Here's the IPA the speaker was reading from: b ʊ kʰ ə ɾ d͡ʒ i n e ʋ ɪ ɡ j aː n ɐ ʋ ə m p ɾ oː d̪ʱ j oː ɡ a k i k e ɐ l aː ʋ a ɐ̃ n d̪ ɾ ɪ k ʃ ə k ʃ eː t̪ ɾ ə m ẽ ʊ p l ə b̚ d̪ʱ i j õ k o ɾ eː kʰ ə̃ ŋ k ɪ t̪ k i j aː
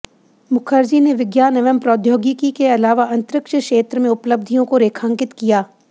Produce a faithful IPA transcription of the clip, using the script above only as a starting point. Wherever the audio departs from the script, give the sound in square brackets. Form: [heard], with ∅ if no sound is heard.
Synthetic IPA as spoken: [m] ʊ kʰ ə ɾ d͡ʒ i n e ʋ ɪ ɡ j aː n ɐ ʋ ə m p ɾ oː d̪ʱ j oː ɡ [i] k i k e ɐ l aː ʋ a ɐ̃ n [t̪] ɾ ɪ k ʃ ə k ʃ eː t̪ ɾ ə m ẽ ʊ p l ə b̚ d̪ʱ i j õ k o ɾ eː kʰ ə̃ ŋ k ɪ t̪ k i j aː